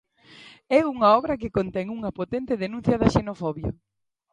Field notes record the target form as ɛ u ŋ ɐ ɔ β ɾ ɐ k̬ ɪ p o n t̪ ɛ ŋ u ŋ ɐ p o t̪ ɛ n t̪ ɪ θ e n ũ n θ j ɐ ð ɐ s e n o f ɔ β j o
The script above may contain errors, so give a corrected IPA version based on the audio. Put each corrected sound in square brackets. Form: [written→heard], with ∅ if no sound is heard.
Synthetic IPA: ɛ u ŋ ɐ ɔ β ɾ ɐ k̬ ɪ [p→k] o n t̪ ɛ ŋ u ŋ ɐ p o t̪ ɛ n t̪ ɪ [θ→ð] e n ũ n θ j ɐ ð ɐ [s→ʃ] e n o f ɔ β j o